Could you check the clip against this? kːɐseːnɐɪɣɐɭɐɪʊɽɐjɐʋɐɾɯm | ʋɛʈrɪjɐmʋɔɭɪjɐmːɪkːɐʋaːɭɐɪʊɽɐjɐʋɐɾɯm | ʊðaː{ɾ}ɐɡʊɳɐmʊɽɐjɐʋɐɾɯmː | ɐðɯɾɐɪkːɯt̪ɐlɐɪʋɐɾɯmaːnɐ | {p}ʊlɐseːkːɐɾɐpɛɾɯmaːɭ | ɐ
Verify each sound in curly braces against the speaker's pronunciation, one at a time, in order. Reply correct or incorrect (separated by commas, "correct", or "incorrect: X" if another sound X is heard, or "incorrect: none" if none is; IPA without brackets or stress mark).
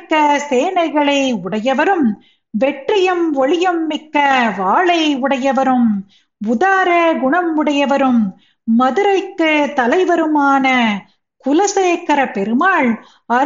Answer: correct, incorrect: k